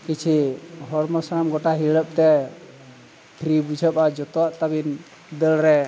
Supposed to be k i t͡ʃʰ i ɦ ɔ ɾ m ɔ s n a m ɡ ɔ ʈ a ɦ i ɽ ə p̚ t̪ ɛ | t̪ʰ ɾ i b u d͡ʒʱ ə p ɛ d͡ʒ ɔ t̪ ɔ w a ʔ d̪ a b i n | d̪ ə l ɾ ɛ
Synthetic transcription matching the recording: k i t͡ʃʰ i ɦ ɔ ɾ m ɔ s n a m ɡ ɔ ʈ a ɦ i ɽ ə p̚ t̪ ɛ | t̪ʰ ɾ i b u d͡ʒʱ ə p a d͡ʒ ɔ t̪ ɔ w a ʔ t̪ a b i n | d̪ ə l ɾ ɛ